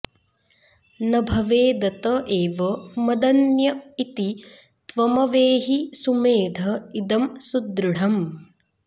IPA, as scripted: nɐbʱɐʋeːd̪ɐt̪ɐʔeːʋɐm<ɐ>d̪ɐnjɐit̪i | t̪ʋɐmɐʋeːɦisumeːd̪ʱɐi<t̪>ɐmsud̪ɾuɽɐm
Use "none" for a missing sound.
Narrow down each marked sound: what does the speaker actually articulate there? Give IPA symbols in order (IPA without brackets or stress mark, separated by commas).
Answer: ɐ, d̪